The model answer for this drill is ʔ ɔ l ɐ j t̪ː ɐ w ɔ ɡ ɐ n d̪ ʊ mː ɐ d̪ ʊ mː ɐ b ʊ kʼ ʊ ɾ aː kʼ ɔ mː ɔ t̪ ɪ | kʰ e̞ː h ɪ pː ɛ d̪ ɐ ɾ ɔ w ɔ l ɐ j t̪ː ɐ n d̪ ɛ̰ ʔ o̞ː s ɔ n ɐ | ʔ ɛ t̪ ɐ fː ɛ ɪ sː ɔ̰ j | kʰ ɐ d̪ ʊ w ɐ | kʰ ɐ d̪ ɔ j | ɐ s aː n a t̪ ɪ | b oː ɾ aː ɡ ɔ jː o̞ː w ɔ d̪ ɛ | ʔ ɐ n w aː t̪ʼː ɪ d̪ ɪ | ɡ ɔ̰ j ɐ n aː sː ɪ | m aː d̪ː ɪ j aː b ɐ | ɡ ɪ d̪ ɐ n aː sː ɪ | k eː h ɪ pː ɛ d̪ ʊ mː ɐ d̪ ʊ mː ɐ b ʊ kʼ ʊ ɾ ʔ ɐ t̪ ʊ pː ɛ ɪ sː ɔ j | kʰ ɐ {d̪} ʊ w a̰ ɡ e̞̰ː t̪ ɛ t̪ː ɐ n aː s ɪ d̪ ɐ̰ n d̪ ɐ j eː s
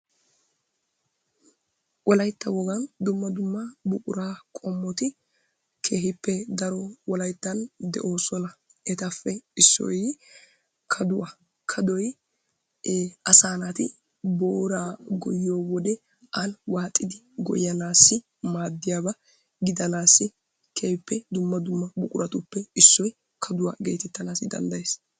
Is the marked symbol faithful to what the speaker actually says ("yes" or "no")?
yes